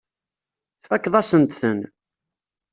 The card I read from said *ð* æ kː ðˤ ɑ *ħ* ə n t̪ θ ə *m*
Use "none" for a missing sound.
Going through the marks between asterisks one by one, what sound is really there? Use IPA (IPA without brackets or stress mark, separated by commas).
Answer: θ, s, n